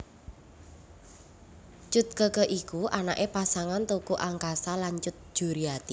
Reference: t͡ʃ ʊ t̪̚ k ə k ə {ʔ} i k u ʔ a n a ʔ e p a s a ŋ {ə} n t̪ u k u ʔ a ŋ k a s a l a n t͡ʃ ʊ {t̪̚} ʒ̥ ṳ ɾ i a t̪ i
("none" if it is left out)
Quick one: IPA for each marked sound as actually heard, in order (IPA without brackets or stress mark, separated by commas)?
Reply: ʔ, a, t̪̚